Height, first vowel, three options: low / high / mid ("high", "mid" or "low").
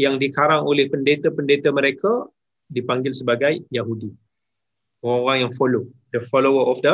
low